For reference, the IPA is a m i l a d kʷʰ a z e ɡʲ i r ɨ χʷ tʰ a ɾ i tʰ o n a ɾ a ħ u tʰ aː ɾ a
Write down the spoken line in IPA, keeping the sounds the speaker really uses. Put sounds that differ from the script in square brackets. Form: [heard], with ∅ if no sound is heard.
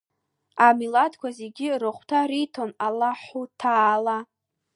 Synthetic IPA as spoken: a m i l a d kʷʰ a z e ɡʲ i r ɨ χʷ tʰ a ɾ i tʰ o n a [l] a ħ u tʰ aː [l] a